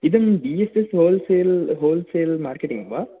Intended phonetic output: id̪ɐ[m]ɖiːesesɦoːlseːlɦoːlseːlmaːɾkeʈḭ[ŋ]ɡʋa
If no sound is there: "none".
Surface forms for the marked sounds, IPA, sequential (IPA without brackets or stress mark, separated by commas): m, ŋ